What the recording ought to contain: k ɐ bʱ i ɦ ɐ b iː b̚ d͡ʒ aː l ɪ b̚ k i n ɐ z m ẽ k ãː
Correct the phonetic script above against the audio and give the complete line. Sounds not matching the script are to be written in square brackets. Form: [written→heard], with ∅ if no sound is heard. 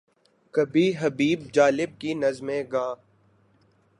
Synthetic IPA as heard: k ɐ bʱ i ɦ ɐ b iː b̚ d͡ʒ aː l ɪ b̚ k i n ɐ z m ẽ [k→ɡ] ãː